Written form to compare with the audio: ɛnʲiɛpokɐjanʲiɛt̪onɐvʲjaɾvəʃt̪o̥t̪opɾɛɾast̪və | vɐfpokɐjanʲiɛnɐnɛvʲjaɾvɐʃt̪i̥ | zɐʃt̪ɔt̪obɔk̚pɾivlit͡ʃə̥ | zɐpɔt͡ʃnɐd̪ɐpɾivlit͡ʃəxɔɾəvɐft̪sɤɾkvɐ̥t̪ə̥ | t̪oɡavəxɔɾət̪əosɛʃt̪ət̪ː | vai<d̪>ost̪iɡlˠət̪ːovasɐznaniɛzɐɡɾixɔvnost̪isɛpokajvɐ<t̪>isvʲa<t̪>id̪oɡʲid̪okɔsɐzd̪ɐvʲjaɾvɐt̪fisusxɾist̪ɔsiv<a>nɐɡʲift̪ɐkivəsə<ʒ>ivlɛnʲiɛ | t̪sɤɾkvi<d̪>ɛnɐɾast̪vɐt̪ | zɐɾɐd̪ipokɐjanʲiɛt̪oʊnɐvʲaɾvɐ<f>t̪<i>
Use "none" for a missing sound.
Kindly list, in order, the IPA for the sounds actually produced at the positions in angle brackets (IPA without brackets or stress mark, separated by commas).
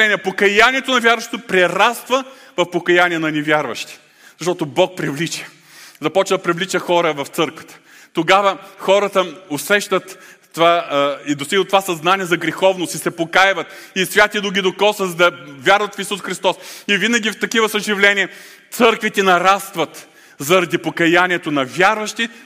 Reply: d̪, t̪, t̪, i, ʒ, t̪, ʃ, i